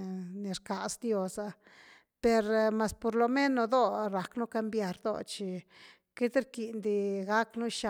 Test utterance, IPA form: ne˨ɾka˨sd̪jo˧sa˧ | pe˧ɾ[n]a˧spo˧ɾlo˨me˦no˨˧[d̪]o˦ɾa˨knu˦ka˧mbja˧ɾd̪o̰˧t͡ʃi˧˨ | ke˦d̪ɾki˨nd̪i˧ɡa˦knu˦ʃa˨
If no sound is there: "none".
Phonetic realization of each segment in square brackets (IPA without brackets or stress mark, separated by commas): m, d̪